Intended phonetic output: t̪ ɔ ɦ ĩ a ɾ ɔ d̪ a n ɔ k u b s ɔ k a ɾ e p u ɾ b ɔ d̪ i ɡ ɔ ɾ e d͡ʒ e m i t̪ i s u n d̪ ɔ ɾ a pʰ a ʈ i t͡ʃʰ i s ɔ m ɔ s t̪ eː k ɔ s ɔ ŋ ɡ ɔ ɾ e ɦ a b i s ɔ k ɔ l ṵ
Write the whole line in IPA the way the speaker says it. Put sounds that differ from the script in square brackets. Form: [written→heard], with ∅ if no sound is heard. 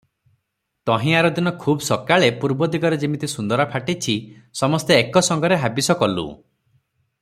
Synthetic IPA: t̪ ɔ ɦ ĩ a ɾ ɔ d̪ [a→i] n ɔ [k→kʰ] u b s ɔ k a [ɾ→ɭ] e p u ɾ b ɔ d̪ i ɡ ɔ ɾ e d͡ʒ [e→i] m i t̪ i s u n d̪ ɔ ɾ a pʰ a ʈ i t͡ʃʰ i s ɔ m ɔ s t̪ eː k ɔ s ɔ ŋ ɡ ɔ ɾ e ɦ a b i s ɔ k ɔ l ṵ